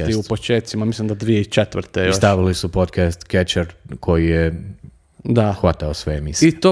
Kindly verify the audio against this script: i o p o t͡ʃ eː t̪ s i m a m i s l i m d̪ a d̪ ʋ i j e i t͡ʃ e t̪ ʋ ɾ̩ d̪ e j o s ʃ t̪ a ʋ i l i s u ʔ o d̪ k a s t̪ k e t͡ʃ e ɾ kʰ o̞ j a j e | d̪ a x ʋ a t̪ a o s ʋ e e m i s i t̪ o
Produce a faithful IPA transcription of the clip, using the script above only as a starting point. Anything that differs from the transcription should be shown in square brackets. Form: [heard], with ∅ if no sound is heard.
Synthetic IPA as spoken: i [u] p o t͡ʃ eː t̪ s i m a m i s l i m d̪ a d̪ ʋ i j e i t͡ʃ e t̪ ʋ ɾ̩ [t̪] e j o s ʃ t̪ a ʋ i l i s u [p] o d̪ k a s t̪ k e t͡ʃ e ɾ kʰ o̞ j [i] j e | d̪ a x ʋ a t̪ a o s ʋ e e m i s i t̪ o